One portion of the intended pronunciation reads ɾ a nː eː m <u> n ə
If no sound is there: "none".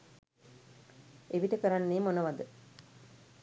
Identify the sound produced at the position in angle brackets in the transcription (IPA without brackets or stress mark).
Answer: o